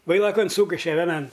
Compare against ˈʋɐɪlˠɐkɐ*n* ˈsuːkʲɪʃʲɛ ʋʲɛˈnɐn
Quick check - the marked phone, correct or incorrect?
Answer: correct